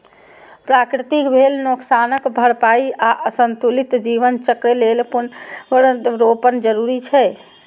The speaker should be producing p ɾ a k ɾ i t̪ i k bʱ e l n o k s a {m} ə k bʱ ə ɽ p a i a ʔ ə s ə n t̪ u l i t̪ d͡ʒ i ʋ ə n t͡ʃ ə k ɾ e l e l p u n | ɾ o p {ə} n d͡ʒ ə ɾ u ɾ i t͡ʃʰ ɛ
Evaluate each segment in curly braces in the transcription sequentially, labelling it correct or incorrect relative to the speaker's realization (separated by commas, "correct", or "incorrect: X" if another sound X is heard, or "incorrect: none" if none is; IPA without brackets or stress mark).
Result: incorrect: n, correct